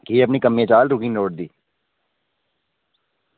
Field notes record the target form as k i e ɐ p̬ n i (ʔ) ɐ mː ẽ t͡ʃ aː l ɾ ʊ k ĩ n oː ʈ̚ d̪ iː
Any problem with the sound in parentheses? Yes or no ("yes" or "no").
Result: yes